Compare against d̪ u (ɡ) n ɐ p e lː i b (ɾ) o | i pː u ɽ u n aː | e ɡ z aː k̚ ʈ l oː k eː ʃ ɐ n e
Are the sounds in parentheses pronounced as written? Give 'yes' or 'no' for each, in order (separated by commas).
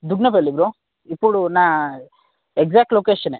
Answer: yes, yes